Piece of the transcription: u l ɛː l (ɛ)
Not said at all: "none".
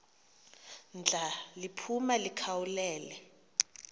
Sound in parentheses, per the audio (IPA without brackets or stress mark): ɛ